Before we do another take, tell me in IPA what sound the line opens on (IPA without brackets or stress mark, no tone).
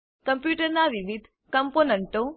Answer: k